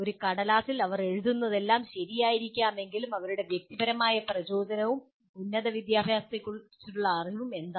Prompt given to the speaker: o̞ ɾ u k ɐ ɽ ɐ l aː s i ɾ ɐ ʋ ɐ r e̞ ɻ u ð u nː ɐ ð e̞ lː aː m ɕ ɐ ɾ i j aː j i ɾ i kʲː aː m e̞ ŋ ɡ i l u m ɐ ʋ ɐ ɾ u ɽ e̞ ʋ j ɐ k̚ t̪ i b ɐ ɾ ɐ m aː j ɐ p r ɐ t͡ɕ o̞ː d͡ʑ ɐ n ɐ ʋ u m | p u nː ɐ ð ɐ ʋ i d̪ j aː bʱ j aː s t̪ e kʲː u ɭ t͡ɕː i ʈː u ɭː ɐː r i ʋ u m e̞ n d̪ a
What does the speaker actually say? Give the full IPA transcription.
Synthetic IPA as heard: o̞ ɾ u k ɐ ɽ ɐ l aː s i l ɐ ʋ ɐ r e̞ ɻ u ð u nː ɐ ð e̞ lː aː m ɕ ɐ ɾ i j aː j i ɾ i kʲː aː m e̞ ŋ ɡ i l u m ɐ ʋ ɐ ɾ u ɽ e̞ ʋ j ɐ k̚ t̪ i b ɐ ɾ ɐ m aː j ɐ p r ɐ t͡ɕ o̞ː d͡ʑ ɐ n ɐ ʋ u m | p u nː ɐ ð ɐ ʋ i d̪ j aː bʱ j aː s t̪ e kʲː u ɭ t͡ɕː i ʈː u ɭː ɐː r i ʋ u m e̞ n d̪ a